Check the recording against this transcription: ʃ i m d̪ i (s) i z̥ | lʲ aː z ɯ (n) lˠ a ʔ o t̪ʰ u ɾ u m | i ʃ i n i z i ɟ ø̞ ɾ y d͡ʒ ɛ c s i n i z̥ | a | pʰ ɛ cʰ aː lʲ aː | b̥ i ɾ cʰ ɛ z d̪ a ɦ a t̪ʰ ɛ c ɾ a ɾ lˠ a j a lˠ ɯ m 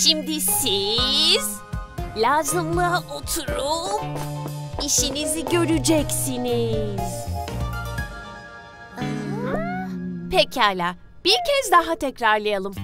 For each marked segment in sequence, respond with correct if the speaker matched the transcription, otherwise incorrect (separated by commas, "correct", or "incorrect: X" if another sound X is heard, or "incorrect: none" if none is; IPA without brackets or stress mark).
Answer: correct, incorrect: m